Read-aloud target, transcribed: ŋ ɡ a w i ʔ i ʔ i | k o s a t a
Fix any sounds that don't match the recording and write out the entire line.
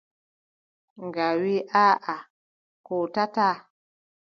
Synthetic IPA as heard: ŋ ɡ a w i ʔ a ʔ a | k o t a t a